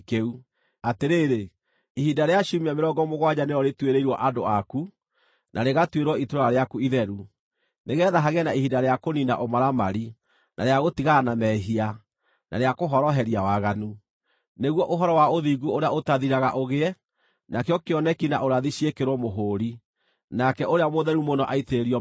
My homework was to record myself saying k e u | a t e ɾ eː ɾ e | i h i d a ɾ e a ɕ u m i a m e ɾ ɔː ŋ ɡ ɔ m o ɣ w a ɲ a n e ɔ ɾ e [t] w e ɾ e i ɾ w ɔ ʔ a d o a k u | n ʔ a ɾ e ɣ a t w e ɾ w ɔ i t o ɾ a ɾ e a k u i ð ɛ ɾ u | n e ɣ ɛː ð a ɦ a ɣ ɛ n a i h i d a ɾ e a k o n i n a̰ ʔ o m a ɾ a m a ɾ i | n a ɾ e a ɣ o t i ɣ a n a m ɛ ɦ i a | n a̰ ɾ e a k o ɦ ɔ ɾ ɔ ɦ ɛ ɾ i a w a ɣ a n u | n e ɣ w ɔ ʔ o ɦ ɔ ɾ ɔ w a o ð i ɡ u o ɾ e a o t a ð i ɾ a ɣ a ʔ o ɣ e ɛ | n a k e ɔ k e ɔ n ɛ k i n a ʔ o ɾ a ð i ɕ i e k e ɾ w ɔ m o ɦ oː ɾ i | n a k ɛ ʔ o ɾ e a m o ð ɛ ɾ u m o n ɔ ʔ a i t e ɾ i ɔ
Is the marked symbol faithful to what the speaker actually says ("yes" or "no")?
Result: yes